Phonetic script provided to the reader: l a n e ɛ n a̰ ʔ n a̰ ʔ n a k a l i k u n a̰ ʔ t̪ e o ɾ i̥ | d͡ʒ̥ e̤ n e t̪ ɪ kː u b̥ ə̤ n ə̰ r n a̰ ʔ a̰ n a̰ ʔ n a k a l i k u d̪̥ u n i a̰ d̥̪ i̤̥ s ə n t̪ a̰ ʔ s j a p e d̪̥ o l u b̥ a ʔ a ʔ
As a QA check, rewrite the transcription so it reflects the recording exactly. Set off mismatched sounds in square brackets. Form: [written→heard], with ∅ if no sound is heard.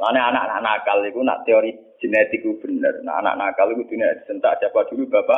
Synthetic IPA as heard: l a n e [ɛ→a] n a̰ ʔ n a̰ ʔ n a k a l i k u n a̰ ʔ t̪ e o ɾ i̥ | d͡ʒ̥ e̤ n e t̪ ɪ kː u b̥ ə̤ n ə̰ r n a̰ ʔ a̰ n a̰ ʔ n a k a l i k u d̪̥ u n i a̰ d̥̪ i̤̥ s ə n t̪ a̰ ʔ s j a p [e→a] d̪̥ [o→u] l u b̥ a [ʔ→p] a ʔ